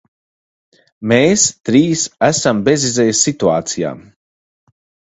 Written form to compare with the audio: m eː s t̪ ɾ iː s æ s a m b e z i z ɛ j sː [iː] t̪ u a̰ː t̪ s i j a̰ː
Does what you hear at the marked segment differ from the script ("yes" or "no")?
yes